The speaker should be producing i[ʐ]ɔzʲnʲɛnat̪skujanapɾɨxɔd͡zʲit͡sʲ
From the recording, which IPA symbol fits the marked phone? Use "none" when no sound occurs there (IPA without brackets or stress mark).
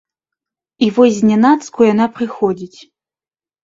v